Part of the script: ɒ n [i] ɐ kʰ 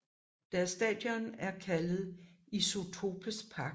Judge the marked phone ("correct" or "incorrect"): incorrect